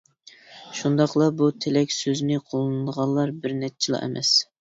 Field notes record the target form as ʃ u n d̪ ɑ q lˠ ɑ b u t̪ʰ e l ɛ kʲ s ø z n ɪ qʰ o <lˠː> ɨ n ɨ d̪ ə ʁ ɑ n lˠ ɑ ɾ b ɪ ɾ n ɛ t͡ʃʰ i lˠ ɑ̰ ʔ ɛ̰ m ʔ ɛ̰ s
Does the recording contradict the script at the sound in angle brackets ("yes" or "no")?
yes